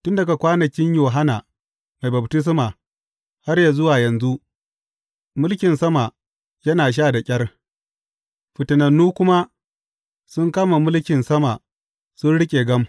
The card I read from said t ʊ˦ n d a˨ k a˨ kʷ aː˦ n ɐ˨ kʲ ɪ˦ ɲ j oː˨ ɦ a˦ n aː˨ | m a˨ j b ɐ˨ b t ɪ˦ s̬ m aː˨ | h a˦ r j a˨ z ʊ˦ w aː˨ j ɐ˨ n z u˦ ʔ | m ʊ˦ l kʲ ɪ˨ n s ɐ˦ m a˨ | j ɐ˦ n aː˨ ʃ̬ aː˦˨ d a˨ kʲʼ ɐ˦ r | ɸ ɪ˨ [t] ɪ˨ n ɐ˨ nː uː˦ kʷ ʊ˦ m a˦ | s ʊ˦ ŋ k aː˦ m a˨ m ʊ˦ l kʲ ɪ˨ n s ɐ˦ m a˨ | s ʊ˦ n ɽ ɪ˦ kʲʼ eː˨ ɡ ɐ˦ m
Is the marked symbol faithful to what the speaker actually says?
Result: yes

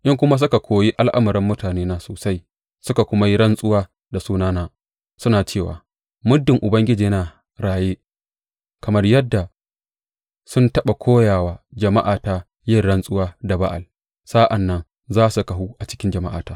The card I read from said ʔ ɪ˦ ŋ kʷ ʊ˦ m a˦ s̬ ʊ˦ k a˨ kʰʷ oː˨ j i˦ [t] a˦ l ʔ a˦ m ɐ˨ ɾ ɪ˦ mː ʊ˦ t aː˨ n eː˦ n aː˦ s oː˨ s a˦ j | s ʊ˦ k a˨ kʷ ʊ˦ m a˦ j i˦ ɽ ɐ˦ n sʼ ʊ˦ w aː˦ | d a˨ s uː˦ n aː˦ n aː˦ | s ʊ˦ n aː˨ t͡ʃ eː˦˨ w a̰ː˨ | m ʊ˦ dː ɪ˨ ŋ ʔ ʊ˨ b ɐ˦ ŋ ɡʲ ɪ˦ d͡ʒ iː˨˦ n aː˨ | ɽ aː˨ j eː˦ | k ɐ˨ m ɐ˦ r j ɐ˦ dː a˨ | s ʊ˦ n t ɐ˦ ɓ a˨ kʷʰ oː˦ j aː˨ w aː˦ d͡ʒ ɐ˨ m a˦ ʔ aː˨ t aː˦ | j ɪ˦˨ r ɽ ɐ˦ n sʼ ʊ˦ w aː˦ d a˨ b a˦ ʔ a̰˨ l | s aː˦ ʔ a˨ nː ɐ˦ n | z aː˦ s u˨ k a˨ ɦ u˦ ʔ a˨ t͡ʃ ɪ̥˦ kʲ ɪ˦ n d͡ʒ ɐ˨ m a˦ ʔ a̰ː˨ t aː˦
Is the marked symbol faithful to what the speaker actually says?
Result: no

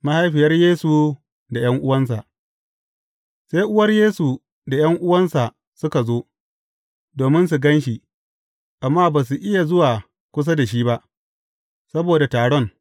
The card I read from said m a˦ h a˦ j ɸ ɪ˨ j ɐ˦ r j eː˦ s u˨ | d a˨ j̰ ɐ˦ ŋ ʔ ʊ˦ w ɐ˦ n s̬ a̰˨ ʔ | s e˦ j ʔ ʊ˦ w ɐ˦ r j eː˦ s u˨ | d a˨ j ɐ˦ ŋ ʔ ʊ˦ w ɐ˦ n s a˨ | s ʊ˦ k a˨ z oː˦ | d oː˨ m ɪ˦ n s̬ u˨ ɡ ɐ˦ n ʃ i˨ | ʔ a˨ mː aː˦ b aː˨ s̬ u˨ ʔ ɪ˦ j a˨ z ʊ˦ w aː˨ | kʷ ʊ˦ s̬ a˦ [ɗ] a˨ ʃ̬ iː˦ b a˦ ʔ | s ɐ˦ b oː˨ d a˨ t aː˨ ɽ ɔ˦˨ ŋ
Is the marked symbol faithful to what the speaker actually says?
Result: no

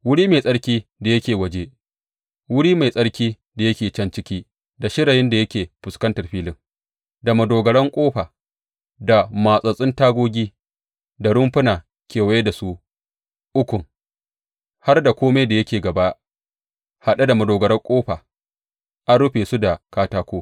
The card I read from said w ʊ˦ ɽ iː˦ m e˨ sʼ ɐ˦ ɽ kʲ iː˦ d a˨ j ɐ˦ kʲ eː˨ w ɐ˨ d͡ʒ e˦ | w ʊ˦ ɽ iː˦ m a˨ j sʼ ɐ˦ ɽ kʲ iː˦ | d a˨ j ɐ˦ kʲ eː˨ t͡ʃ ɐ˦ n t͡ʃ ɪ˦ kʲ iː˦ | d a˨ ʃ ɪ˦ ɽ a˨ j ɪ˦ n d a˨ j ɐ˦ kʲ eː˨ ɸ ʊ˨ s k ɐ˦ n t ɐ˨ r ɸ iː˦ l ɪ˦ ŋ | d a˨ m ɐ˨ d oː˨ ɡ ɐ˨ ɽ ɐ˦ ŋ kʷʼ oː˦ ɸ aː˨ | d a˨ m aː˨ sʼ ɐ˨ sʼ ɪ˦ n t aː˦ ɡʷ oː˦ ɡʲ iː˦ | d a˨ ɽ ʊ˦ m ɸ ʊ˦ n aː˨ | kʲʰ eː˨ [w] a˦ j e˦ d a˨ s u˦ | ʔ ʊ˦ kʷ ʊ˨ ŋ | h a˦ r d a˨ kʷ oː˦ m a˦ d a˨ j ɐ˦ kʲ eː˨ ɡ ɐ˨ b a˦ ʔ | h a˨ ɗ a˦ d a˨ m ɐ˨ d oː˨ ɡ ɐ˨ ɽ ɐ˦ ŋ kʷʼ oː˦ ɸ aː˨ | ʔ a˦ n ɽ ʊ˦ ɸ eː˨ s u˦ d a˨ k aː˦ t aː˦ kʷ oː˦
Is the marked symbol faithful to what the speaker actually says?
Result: yes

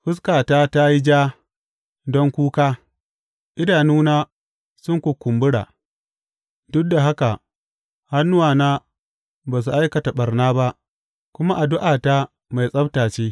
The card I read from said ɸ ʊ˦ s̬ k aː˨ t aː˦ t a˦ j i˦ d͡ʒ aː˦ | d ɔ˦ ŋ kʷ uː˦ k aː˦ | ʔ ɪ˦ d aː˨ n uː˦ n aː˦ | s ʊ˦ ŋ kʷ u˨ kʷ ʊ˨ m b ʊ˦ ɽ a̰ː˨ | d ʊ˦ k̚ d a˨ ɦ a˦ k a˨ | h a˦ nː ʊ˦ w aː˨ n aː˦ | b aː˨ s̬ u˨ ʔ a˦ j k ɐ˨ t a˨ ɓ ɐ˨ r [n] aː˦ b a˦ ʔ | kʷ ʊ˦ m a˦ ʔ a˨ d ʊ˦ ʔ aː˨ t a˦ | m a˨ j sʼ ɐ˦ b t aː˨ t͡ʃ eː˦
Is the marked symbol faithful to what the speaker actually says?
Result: yes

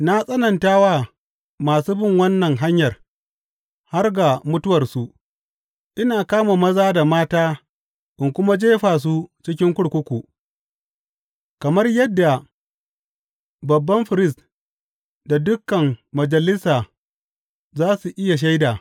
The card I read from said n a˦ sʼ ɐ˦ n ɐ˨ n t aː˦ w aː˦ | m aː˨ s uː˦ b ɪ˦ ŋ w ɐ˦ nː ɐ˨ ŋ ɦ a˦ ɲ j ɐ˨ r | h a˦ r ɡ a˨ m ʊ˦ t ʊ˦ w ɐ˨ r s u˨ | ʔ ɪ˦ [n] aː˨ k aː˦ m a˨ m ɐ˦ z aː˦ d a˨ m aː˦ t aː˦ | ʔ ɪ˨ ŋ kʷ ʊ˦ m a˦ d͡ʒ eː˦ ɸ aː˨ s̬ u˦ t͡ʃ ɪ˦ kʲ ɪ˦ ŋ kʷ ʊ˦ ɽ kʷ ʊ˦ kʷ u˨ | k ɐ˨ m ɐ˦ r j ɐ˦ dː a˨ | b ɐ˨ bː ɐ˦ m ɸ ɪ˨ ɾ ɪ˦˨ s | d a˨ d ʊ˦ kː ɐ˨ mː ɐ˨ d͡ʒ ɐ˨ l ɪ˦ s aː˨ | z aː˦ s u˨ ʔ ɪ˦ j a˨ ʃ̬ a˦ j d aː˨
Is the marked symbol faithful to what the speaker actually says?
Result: yes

